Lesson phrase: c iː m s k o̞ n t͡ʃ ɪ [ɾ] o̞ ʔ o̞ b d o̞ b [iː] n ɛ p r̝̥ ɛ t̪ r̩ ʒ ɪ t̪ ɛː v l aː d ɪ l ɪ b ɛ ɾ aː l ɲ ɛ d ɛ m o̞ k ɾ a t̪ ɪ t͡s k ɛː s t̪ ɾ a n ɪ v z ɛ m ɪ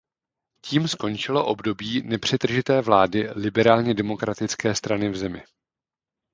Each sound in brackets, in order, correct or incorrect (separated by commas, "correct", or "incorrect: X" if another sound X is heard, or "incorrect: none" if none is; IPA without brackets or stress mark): incorrect: l, correct